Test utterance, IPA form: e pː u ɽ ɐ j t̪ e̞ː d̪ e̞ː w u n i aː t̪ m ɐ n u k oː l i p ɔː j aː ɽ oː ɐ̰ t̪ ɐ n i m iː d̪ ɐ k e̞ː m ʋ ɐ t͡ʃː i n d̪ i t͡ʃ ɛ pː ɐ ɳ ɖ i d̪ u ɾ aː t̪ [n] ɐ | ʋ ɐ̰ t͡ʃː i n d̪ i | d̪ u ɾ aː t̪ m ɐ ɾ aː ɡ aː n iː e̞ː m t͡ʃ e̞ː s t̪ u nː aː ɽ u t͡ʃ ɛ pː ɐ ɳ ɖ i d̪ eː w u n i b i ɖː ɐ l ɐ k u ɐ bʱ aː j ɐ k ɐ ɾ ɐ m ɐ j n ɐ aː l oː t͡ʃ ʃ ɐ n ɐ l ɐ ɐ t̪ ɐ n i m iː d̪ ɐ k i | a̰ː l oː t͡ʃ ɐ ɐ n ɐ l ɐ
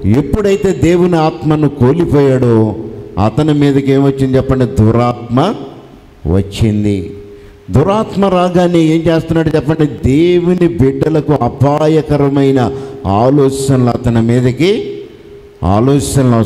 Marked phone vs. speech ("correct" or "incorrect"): incorrect